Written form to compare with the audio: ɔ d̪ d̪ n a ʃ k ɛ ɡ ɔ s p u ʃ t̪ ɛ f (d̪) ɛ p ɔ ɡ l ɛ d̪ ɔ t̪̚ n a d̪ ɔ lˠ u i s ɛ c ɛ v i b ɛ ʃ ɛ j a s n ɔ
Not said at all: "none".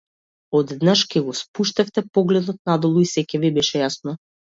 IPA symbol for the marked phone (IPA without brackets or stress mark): t̪